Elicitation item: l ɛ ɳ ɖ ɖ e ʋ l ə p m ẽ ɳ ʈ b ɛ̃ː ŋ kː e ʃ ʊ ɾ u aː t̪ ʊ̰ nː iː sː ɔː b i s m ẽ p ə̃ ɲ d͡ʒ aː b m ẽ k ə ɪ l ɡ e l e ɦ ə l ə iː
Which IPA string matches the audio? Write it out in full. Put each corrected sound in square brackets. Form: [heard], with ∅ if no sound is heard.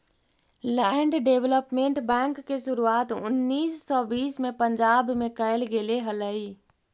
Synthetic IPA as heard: l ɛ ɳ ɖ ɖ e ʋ l ə p m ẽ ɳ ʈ b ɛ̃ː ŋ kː e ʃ ʊ ɾ u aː t̪ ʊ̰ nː iː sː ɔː b [iː] s m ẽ p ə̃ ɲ d͡ʒ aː b m ẽ k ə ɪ l ɡ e l e ɦ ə l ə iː